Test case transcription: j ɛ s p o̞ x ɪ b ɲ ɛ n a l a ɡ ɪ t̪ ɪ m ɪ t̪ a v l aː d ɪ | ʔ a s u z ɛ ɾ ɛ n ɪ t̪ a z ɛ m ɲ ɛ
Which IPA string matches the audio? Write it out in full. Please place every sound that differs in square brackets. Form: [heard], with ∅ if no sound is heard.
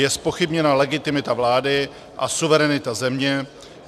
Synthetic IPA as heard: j ɛ s p o̞ x ɪ b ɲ ɛ n a l [ɛ] ɡ ɪ t̪ ɪ m ɪ t̪ a v l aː d ɪ | ʔ a s u [v] ɛ ɾ ɛ n ɪ t̪ a z ɛ m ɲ ɛ